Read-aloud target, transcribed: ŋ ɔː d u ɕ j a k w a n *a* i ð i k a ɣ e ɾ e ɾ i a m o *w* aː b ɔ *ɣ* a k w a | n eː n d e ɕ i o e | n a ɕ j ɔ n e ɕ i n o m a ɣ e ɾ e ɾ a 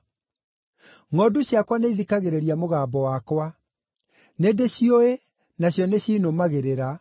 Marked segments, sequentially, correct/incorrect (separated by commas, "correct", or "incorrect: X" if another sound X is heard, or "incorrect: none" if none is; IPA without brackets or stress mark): incorrect: e, incorrect: ɣ, incorrect: w